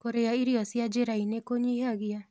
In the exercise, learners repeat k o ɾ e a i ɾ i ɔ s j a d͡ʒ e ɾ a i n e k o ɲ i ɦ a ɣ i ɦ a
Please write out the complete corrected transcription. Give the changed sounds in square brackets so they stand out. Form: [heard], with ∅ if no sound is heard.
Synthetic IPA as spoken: k o ɾ e a i ɾ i ɔ s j a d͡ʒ e ɾ a i n e k o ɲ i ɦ a ɣ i [∅] a